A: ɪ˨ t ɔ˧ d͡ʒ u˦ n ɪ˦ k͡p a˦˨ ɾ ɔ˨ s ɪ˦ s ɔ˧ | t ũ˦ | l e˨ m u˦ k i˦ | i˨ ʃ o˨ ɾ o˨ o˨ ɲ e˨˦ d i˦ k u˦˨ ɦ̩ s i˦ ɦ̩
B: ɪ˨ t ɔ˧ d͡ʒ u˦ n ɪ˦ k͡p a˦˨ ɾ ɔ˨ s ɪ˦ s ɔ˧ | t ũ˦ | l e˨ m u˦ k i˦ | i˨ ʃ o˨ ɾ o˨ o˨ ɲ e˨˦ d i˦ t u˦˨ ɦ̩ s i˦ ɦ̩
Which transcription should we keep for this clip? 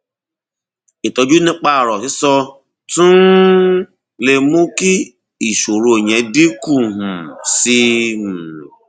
A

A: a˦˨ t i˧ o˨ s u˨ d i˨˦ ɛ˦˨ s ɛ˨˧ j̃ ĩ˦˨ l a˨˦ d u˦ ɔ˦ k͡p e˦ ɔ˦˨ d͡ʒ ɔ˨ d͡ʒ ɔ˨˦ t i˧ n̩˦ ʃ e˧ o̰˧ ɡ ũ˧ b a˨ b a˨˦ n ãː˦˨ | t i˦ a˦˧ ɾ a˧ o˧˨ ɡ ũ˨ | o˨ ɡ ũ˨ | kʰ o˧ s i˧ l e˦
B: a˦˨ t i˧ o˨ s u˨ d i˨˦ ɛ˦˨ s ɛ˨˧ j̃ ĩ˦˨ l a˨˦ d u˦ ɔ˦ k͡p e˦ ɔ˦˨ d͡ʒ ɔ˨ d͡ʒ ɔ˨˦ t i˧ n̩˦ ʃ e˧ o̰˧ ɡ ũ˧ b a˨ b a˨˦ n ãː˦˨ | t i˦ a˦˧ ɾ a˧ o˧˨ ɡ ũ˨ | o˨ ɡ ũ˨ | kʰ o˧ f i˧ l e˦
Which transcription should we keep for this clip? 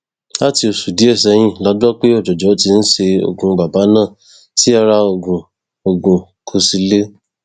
A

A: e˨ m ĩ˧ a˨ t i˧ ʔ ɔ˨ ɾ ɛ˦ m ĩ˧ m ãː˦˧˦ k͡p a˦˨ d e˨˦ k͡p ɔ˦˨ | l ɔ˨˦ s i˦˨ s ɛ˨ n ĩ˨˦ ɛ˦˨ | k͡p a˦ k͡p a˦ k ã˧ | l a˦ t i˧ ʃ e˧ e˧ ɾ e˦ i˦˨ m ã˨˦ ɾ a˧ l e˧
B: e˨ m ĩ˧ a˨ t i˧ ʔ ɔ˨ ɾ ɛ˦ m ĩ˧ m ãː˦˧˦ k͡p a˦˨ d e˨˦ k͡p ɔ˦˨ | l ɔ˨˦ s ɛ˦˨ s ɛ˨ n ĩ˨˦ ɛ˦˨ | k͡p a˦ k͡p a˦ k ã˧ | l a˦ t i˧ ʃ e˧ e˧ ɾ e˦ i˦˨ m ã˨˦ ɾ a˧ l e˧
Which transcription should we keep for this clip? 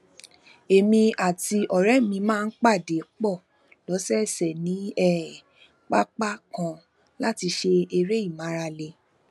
B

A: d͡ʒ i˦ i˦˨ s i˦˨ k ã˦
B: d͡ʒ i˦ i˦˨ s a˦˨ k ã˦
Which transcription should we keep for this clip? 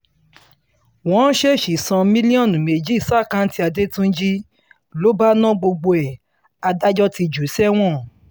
B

